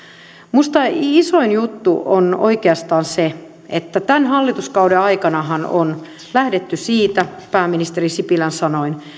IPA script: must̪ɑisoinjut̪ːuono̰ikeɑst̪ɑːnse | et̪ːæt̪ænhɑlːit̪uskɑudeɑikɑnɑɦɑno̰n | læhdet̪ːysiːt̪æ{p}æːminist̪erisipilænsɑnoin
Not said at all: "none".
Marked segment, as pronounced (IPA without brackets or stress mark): p